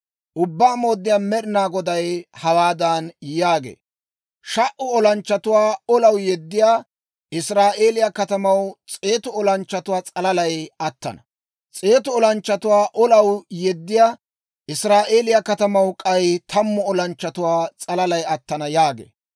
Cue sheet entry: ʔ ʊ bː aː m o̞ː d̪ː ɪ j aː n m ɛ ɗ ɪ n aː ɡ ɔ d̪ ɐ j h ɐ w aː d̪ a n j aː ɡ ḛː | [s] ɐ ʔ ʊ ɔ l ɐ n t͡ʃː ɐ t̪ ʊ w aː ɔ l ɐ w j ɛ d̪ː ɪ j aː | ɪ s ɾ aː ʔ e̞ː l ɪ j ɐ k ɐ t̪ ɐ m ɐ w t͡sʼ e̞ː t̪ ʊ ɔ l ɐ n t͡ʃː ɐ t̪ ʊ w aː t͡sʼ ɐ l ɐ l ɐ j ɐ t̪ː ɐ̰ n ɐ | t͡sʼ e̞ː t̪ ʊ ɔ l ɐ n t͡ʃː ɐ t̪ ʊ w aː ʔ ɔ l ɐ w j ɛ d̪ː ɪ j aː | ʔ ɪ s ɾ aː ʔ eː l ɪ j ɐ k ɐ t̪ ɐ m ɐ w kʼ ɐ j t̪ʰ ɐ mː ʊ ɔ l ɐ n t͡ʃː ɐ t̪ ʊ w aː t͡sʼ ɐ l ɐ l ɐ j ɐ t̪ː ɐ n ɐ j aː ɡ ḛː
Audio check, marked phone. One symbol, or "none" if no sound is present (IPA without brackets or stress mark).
ʃ